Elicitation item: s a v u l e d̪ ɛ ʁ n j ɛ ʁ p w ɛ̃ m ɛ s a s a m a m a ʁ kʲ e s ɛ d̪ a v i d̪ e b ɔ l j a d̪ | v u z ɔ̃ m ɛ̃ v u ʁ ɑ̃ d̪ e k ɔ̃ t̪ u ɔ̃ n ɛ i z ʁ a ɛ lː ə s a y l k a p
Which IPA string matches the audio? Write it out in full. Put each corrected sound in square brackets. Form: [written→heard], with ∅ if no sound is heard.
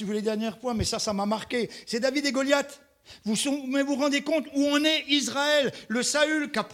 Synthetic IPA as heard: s [a→i] v u l e d̪ ɛ ʁ n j ɛ ʁ p w ɛ̃ m ɛ s a s a m a m a ʁ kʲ e s ɛ d̪ a v i d̪ e [b→ɡ] ɔ l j a [d̪→t̪] | v u [z→s] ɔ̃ m [ɛ̃→ɛ] v u ʁ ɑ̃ d̪ e k ɔ̃ t̪ u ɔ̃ n ɛ i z ʁ a ɛ lː ə s a y l k a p